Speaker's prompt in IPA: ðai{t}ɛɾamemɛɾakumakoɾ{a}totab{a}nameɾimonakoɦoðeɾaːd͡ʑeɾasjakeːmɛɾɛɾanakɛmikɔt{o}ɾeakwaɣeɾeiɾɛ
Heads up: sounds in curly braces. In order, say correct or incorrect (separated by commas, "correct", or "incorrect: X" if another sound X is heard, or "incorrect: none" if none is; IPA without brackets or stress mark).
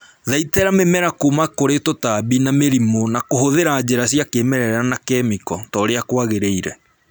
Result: correct, incorrect: e, incorrect: i, incorrect: ɔ